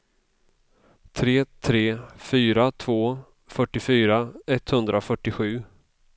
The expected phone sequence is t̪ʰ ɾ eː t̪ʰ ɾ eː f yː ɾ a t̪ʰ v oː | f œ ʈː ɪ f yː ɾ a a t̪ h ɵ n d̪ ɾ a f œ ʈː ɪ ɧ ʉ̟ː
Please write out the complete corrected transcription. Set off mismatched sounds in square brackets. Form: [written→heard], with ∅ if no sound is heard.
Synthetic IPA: t̪ʰ ɾ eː t̪ʰ ɾ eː f yː ɾ a t̪ʰ v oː | f œ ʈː ɪ f yː ɾ a [a→ɛ] t̪ h ɵ n d̪ ɾ a f œ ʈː ɪ ɧ ʉ̟ː